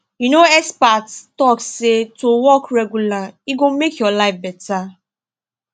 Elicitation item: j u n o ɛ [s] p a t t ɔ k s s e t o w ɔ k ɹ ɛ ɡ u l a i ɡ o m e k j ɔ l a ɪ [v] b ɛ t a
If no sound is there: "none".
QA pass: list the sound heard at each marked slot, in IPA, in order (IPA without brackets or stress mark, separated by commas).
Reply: s, f